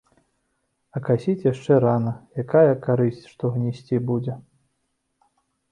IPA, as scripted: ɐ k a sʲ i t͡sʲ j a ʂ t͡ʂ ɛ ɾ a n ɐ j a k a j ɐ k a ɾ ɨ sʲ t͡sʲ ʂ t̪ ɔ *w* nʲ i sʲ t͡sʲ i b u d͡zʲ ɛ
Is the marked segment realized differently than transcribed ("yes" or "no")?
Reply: yes